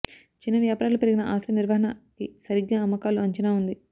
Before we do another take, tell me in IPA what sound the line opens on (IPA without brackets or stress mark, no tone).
t͡ʃ